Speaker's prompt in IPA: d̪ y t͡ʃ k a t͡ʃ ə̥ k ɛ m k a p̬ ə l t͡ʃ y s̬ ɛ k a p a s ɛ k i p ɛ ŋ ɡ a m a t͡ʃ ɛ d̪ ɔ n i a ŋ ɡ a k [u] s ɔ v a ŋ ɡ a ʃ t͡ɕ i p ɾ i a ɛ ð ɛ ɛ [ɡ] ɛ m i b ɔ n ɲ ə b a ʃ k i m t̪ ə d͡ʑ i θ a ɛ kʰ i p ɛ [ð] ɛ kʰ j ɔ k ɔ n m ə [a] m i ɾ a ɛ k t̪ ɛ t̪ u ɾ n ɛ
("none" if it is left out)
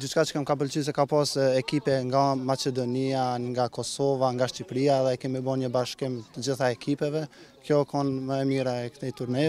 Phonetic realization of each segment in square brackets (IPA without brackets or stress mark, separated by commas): ɔ, k, v, ɛ